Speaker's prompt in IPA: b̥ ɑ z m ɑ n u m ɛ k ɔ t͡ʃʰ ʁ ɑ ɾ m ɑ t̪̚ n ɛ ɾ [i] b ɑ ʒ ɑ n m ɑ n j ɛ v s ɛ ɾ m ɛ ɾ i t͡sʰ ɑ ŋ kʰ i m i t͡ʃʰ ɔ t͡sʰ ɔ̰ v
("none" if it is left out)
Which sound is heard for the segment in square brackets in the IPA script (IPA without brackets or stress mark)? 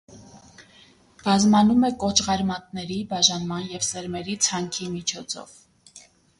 i